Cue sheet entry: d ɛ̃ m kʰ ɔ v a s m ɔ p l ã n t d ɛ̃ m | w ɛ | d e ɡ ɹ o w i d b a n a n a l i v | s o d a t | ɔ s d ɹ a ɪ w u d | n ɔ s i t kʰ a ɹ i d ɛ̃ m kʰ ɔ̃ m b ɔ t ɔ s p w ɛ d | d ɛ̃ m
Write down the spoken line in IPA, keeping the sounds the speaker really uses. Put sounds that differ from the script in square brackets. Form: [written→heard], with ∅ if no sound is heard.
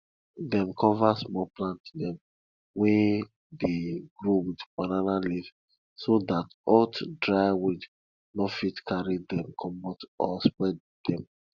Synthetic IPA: d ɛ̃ m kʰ ɔ v a s m ɔ p l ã n t d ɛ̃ m | w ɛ | d e ɡ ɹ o w i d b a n a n a l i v | s o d a t | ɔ [s→t] d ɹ a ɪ w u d | n ɔ [s→f] i t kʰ a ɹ i d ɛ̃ m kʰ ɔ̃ m b ɔ t ɔ s p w ɛ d | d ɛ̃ m